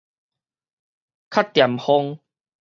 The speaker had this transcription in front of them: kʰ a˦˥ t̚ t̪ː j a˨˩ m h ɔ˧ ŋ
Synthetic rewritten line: kʰ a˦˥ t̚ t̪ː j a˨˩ m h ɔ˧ ŋ